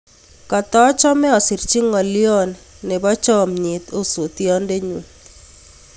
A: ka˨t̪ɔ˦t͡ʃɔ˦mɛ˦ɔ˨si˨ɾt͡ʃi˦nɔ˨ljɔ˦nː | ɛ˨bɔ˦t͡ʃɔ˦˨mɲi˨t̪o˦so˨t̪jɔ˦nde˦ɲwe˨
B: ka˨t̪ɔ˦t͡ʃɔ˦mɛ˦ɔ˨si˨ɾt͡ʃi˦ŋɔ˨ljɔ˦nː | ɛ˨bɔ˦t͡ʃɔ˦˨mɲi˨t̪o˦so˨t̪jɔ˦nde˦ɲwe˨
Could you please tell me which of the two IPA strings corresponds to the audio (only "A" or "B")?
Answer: B